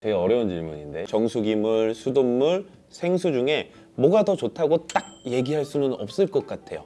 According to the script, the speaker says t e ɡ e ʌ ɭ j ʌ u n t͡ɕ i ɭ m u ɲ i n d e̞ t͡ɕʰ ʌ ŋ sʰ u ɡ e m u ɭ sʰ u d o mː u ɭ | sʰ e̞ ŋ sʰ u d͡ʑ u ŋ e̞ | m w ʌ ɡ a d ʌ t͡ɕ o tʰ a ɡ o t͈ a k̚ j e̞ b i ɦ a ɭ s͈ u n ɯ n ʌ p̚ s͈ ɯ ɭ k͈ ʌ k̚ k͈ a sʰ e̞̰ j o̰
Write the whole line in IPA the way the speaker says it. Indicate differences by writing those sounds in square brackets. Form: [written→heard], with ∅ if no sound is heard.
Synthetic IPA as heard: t e ɡ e ʌ [ɭ→ɾ] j ʌ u n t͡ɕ i ɭ m u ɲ i n d e̞ [t͡ɕʰ→t͡ɕ] ʌ ŋ sʰ u ɡ [e→i] m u ɭ sʰ u d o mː u ɭ | sʰ e̞ ŋ sʰ u d͡ʑ u ŋ e̞ | m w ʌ ɡ a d ʌ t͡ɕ o tʰ a ɡ o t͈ a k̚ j e̞ [b→ɡ] i ɦ a ɭ s͈ u n ɯ n ʌ p̚ s͈ ɯ ɭ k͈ ʌ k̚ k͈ a [sʰ→tʰ] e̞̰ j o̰